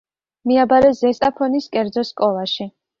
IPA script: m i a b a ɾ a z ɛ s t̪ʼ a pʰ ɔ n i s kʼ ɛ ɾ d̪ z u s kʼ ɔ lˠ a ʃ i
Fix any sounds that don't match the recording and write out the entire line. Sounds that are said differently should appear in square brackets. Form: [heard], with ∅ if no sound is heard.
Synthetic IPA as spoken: m i a b a ɾ [ɛ] z ɛ s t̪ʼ a pʰ ɔ n i s kʼ ɛ ɾ d̪ z [ɔ] s kʼ ɔ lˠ a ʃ i